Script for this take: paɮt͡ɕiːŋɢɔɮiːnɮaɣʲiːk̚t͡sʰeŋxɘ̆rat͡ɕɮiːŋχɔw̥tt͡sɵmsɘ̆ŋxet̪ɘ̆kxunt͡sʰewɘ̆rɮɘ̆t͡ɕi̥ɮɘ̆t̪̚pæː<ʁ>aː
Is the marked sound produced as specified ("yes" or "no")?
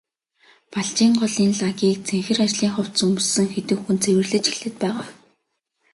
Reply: yes